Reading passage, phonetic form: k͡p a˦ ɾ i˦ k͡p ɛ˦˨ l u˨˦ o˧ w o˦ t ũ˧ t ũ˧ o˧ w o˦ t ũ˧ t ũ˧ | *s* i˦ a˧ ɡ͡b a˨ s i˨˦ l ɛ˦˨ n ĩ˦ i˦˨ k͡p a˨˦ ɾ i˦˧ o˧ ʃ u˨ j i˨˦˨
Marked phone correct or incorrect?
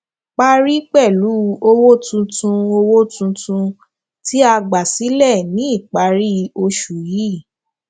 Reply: incorrect